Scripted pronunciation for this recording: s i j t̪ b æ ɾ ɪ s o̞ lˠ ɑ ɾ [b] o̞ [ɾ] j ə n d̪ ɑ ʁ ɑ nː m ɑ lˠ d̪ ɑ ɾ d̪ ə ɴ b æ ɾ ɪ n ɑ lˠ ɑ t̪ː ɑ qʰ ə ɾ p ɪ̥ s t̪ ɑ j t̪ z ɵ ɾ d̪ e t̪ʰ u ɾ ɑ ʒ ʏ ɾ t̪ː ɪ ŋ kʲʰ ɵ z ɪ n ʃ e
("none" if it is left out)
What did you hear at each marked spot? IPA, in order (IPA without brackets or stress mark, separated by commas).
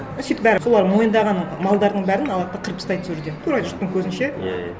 m, none